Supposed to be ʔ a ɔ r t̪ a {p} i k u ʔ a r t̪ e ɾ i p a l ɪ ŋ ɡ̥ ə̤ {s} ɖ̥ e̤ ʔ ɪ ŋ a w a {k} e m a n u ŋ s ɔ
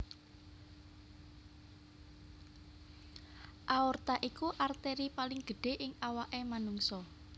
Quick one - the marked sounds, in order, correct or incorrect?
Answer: incorrect: ʔ, incorrect: none, incorrect: ʔ

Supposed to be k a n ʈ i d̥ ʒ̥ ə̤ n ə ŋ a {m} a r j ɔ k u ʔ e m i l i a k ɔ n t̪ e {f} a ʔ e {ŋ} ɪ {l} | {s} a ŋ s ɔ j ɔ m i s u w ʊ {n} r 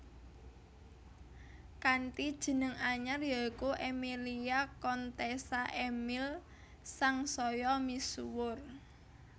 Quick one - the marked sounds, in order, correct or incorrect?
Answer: incorrect: ɲ, incorrect: s, incorrect: m, correct, correct, incorrect: none

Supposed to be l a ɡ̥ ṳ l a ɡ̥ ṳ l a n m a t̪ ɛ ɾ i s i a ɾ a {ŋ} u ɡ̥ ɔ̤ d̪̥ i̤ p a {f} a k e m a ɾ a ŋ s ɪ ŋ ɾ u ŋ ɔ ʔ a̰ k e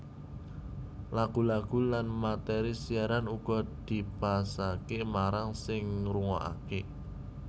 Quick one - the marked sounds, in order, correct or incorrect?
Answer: incorrect: n, incorrect: s

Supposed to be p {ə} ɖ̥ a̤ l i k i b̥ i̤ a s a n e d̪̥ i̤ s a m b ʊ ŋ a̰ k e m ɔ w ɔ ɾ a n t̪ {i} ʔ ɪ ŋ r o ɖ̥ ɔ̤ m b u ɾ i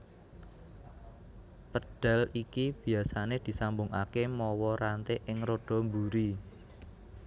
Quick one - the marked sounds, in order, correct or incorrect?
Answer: correct, incorrect: e

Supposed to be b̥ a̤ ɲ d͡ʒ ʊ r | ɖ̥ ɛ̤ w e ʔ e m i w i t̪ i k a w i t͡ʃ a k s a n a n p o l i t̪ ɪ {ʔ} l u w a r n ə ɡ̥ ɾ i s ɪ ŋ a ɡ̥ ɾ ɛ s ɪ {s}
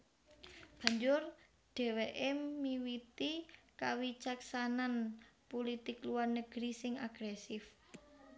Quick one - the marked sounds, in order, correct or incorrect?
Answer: incorrect: k, incorrect: f

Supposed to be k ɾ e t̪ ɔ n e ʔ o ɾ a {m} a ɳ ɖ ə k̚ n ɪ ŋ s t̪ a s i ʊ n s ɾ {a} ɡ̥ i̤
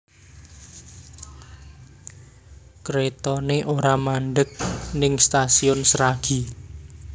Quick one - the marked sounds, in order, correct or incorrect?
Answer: correct, correct

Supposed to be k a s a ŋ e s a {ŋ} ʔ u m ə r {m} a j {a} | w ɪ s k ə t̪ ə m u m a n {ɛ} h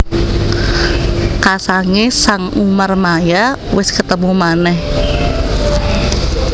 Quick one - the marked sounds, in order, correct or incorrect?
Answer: correct, correct, correct, correct

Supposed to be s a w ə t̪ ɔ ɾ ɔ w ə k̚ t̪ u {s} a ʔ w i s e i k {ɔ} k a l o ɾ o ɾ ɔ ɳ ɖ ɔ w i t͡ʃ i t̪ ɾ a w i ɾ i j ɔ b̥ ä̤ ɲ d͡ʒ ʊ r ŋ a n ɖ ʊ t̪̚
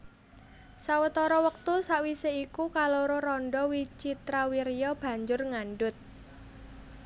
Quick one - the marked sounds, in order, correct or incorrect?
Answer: correct, incorrect: u

